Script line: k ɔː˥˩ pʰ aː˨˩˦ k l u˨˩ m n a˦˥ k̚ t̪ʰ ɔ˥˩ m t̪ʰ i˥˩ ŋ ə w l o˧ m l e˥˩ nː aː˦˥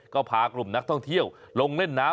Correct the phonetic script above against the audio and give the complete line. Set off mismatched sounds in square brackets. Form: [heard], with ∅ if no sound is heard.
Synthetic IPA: k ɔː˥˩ pʰ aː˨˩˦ k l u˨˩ m n a˦˥ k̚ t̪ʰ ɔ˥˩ [ŋ] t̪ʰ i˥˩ [∅] ə w l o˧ [ŋ] l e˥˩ nː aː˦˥